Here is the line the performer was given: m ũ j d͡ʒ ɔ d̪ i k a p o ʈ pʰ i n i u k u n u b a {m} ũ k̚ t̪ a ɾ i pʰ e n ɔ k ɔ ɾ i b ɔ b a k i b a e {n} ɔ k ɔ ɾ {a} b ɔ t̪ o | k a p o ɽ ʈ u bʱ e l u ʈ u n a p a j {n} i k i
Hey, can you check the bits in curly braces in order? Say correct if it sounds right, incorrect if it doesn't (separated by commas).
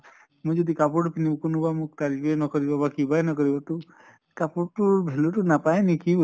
correct, correct, incorrect, correct